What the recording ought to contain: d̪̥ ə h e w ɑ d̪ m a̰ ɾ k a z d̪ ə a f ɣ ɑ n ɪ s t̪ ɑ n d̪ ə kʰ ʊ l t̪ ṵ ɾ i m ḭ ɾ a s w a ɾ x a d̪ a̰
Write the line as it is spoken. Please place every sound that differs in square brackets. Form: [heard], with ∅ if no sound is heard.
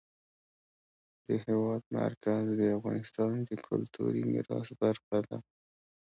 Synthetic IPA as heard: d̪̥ ə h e w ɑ d̪ m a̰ ɾ k a z d̪ ə a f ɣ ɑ n ɪ s t̪ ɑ n d̪ ə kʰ ʊ l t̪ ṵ ɾ i m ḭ ɾ [ɑ] s [b] a ɾ x a d̪ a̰

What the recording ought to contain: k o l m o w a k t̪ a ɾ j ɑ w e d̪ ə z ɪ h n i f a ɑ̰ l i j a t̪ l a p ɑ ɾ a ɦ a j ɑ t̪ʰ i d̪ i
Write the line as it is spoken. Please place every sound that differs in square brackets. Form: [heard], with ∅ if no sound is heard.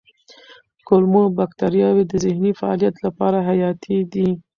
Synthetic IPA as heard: k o l m o [b] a k t̪ a ɾ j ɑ w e d̪ ə z ɪ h n i f a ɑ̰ l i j a t̪ l a p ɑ ɾ a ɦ a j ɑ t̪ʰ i d̪ i

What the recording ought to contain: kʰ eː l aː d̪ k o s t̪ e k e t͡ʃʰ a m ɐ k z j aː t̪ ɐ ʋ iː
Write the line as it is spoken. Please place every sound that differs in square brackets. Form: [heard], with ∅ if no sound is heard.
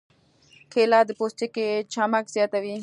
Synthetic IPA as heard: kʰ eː l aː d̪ [p] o s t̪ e k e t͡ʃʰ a m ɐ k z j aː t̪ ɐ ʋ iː

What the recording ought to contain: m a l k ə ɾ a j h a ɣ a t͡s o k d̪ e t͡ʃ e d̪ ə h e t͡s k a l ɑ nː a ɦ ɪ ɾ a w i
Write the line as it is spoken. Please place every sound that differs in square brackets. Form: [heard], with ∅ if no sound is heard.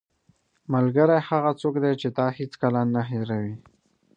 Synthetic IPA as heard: m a l [ɡ] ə ɾ a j h a ɣ a t͡s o k d̪ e t͡ʃ e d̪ [ɑ] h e t͡s k a l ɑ nː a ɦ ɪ ɾ a w i

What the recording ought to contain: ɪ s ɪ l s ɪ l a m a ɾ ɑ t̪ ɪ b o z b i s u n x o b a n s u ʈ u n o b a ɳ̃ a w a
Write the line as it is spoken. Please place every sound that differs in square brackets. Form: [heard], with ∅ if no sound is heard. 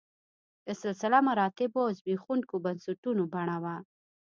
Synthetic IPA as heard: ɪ s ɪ l s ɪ l a m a ɾ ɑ t̪ ɪ b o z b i [x] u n [k] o b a n s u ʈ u n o b a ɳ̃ a w a

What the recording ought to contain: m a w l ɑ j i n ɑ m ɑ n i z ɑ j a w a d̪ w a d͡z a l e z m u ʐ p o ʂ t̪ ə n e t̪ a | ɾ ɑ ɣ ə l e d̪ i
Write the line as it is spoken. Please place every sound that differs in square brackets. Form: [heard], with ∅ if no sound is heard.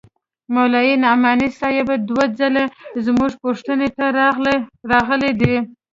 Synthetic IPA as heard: m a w l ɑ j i n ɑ m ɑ n i [s] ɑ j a [b] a d̪ w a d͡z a l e z m u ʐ p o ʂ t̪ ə n e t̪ a | ɾ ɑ ɣ ə l e d̪ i

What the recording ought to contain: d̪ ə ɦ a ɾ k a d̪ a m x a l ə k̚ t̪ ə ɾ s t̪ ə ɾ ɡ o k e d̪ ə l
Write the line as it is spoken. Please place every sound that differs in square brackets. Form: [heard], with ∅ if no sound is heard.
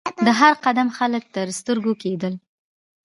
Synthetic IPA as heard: d̪ ə ɦ a ɾ [q] a d̪ a m x a l ə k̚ t̪ ə ɾ s t̪ ə ɾ ɡ o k e d̪ ə l

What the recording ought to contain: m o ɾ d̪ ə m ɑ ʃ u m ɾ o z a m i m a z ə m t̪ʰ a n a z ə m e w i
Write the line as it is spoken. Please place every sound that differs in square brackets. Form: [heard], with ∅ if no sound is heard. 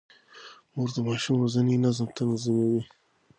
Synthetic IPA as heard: m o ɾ d̪ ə m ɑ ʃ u m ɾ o z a [n] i [n] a z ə m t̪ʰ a n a z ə m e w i

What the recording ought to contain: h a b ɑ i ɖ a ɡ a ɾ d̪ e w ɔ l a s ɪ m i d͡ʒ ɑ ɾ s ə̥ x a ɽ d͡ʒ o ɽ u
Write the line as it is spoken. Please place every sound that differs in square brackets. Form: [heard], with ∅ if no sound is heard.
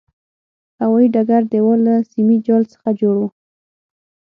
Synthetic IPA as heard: h a [w] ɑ i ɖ a ɡ a ɾ d̪ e w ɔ l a s [i] m i d͡ʒ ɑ [l] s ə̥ x a [∅] d͡ʒ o ɽ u

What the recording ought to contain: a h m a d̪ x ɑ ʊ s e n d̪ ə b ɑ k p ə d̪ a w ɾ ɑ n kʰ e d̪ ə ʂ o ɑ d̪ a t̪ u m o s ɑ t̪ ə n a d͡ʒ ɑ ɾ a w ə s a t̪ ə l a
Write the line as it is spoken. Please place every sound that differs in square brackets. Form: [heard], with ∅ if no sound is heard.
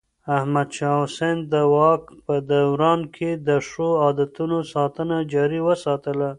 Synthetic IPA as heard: a h m a d̪ [ʃ] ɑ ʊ s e n d̪ ə [w] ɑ k p ə d̪ a w ɾ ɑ n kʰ e d̪ ə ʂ o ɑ d̪ a t̪ u [n] o s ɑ t̪ ə n a d͡ʒ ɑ ɾ [i] w ə s [ɑ] t̪ ə l a

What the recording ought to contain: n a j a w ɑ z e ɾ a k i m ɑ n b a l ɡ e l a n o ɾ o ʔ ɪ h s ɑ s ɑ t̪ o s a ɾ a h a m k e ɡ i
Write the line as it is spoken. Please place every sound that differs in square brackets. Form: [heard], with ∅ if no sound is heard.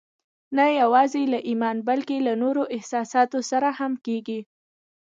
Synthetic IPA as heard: n a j a w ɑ z e [l] a [ʔ] i m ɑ n b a l [k] e l a n o ɾ o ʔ ɪ h s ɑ s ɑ t̪ o s a ɾ a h a m k e ɡ i

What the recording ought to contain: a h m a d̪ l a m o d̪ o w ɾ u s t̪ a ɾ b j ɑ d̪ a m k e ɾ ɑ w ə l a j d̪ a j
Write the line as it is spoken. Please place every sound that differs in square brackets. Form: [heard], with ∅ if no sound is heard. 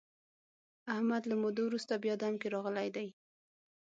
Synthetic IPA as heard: a h m a d̪ l a m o d̪ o w ɾ u s t̪ a [∅] b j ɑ d̪ a m k e ɾ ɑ [ɣ] ə l a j d̪ a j

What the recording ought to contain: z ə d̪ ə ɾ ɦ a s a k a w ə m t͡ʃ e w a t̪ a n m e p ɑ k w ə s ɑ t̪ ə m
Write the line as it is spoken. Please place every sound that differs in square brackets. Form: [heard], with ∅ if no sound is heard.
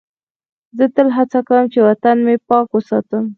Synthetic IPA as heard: z ə [t̪] ə [l] ɦ a [t͡s] a k a w ə m t͡ʃ e w a t̪ a n m e p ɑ k w ə s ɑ t̪ ə m

